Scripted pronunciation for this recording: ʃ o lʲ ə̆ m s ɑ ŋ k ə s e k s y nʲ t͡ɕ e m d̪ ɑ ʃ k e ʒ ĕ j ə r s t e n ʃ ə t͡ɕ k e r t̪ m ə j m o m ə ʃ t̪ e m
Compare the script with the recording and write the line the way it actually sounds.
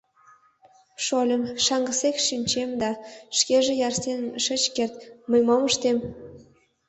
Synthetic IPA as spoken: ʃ o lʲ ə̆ m ʃ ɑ ŋ ɡ ə s e k ʃ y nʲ t͡ɕ e m d̪ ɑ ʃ k e ʒ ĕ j ɑ r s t e n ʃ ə t͡ɕ k e r t̪ m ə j m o m ə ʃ t̪ e m